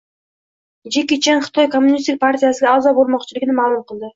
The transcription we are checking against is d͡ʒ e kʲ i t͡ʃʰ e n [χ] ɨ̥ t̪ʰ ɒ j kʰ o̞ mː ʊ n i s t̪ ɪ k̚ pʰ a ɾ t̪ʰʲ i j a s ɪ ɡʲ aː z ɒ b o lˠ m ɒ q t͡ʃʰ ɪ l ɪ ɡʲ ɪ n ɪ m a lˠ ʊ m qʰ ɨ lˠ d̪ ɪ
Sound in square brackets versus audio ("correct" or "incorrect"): correct